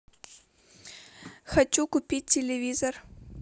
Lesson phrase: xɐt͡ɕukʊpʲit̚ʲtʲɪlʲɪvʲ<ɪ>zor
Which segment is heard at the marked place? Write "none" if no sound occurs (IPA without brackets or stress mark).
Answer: i